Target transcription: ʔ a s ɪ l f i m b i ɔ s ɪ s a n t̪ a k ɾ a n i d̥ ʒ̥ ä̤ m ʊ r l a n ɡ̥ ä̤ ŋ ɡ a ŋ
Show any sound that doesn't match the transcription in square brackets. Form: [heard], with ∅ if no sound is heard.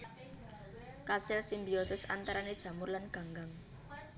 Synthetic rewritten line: [k] a s ɪ l [s] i m b i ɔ s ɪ s a n t̪ a [∅] ɾ a n [e] d̥ ʒ̥ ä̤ m ʊ r l a n ɡ̥ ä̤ ŋ ɡ a ŋ